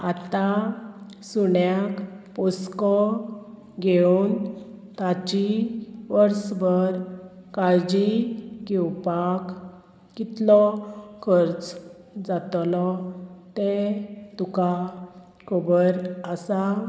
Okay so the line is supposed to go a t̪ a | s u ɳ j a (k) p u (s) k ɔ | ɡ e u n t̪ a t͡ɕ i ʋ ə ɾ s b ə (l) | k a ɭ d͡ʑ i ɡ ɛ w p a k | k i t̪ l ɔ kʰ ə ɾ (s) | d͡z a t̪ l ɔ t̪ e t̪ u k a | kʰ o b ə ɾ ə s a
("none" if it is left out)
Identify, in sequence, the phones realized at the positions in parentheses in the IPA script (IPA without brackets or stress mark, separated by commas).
k, s, ɾ, t͡s